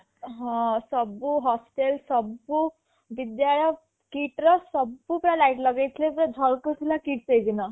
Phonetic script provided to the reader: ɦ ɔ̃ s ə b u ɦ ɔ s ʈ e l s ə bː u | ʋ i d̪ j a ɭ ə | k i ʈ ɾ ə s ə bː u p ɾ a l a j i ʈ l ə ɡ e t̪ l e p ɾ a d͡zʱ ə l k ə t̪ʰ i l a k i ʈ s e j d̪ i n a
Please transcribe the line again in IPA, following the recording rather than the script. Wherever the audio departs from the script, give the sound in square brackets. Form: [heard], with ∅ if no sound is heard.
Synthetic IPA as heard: ɦ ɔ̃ s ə b u ɦ ɔ s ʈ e l s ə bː u | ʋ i d̪ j a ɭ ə | k i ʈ ɾ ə s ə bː u p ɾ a l a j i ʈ l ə ɡ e t̪ l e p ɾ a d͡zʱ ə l k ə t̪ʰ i l a k i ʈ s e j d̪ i n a